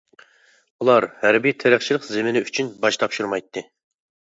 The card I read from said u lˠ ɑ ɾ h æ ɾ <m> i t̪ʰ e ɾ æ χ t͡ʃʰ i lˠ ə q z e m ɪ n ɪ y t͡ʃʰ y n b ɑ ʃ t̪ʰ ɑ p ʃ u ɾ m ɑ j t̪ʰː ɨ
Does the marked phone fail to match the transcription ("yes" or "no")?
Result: yes